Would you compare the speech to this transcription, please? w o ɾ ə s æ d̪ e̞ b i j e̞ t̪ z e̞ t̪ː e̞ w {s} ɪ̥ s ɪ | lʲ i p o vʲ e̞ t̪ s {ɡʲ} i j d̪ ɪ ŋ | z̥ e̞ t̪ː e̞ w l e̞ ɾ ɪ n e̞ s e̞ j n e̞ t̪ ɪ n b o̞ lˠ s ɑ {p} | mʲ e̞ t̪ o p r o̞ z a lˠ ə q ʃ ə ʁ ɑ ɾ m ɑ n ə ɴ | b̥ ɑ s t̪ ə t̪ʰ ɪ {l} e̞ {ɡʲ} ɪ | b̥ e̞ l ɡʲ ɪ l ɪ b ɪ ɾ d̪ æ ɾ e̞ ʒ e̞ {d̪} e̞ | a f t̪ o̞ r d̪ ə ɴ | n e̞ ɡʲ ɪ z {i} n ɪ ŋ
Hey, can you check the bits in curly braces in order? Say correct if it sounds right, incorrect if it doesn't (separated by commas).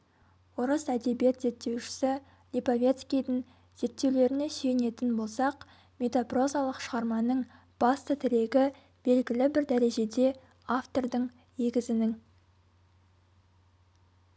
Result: incorrect, incorrect, incorrect, incorrect, correct, correct, incorrect